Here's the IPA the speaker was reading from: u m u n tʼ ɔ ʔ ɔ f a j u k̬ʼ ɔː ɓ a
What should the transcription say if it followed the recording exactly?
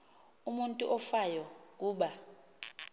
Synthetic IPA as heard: u m u n tʼ u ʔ ɔ f a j ɔ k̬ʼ uː ɓ a